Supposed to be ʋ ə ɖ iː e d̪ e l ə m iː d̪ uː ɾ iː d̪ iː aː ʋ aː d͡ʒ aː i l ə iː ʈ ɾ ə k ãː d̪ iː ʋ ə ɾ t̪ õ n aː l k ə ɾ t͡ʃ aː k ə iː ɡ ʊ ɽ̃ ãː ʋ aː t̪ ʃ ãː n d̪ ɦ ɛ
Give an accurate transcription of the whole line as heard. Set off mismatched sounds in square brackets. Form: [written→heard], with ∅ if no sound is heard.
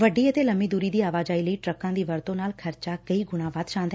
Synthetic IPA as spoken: ʋ ə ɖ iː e [d̪→t̪] e l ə m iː d̪ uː ɾ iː d̪ iː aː ʋ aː d͡ʒ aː i l ə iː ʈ ɾ ə k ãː d̪ iː ʋ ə ɾ t̪ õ n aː l [k→kʰ] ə ɾ t͡ʃ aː k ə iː ɡ ʊ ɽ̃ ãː ʋ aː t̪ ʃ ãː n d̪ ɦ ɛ